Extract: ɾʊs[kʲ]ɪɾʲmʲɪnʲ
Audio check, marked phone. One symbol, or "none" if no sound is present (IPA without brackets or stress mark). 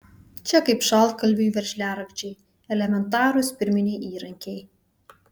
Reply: pʲ